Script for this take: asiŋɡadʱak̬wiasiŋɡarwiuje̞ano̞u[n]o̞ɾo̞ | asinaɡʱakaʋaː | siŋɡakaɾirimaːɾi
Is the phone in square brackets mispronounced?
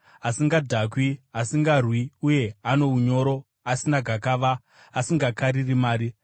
yes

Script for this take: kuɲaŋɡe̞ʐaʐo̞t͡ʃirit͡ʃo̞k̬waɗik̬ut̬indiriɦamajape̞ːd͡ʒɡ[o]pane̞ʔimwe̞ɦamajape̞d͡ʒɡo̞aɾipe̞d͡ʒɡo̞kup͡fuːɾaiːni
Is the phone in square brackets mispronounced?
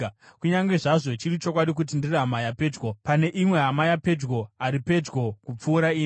no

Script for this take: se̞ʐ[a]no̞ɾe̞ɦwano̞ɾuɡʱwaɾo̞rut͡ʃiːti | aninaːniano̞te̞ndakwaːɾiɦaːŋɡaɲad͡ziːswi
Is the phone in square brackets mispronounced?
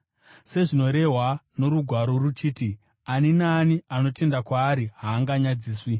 yes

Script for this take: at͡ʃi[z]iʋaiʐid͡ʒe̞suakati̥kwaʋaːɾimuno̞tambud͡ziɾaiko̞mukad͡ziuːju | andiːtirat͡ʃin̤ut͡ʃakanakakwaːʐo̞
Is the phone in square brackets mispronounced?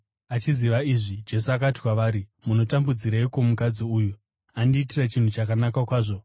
no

